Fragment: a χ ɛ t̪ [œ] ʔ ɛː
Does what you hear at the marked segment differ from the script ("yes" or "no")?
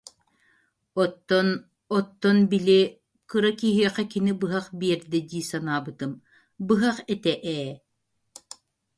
yes